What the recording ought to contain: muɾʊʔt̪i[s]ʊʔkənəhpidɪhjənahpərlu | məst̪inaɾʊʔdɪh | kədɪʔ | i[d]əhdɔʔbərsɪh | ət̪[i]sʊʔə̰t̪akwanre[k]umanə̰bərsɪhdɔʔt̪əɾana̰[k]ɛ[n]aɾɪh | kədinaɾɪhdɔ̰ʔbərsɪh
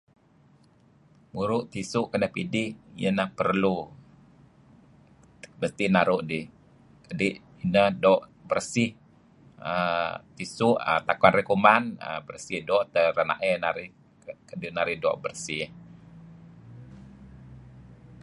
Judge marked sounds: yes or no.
yes, no, yes, yes, no, yes

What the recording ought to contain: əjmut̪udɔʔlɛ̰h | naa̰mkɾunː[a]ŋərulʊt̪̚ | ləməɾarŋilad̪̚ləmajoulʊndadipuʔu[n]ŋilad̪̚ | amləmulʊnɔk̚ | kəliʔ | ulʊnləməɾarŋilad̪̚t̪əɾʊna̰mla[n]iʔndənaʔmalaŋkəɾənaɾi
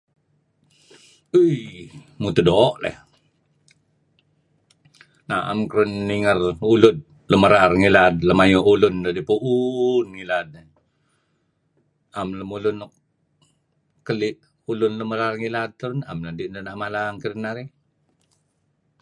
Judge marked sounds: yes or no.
no, yes, no

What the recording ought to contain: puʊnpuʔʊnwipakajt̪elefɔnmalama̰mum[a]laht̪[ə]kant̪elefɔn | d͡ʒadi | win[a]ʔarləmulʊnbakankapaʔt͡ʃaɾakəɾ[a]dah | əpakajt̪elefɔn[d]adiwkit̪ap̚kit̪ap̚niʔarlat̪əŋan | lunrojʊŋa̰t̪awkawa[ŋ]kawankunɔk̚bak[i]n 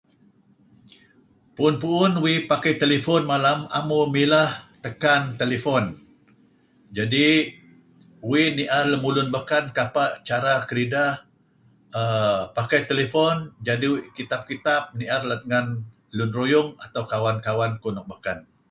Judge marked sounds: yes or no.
no, yes, no, no, no, no, no

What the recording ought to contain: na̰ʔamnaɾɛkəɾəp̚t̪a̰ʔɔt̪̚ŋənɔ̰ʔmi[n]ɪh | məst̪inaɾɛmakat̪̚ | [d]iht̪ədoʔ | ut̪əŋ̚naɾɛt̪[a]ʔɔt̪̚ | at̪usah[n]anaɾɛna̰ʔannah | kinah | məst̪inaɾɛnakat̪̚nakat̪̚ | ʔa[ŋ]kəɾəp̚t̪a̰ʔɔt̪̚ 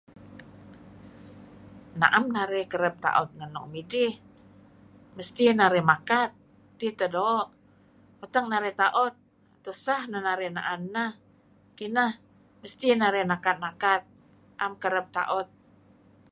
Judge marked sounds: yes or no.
no, yes, yes, yes, no

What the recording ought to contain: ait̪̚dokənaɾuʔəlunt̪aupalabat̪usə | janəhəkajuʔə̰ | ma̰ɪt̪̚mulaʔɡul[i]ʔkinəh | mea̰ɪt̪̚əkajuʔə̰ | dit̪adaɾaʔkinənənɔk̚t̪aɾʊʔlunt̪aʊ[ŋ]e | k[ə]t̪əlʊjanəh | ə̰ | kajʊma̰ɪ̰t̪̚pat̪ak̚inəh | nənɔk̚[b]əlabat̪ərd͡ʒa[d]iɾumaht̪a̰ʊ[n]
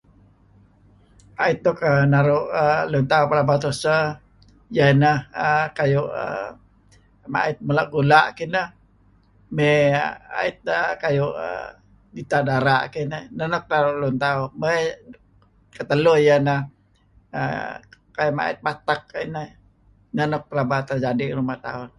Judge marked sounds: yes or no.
no, no, yes, no, yes, yes

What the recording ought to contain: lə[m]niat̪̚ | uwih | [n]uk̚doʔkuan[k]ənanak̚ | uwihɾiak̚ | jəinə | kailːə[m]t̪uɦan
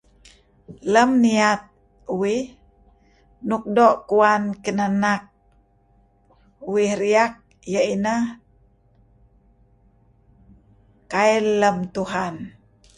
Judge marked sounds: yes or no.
yes, yes, yes, yes

